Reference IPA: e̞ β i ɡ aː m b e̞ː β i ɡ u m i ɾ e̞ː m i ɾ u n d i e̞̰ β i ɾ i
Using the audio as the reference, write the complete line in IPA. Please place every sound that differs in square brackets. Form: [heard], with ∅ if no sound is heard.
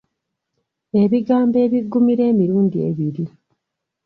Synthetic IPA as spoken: e̞ β i ɡ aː m b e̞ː β i ɡ u m i ɾ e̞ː m i ɾ [uː] n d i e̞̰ β i ɾ i